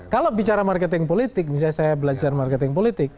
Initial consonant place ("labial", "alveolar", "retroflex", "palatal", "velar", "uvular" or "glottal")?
velar